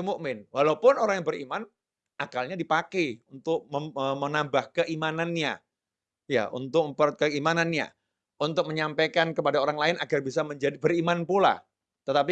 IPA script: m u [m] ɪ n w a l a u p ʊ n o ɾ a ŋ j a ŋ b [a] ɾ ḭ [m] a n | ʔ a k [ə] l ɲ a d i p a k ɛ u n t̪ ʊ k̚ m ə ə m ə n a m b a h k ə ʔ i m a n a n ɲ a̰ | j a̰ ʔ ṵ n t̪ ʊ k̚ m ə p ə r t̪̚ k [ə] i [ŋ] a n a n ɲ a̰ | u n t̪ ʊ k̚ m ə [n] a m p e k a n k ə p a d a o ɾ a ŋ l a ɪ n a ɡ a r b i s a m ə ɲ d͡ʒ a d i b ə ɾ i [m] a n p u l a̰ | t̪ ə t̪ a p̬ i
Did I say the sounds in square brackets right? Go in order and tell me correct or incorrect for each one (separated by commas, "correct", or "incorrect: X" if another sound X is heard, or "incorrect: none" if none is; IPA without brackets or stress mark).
correct, incorrect: ə, correct, incorrect: a, correct, incorrect: m, incorrect: ɲ, correct